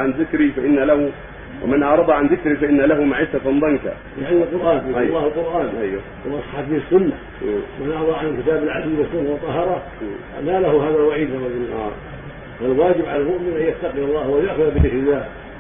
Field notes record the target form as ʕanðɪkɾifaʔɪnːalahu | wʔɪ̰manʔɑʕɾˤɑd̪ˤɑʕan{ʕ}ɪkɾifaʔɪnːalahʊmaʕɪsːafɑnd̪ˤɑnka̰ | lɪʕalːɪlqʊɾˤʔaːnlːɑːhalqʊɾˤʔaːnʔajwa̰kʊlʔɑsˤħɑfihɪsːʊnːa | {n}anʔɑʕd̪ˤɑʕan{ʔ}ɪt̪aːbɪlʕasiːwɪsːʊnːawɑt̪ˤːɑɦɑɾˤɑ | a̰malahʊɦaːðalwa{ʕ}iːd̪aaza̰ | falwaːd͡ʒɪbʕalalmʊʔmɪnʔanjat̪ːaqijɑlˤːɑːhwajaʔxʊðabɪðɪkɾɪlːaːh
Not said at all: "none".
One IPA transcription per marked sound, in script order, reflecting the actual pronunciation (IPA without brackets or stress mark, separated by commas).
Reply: ð, m, k, ʕ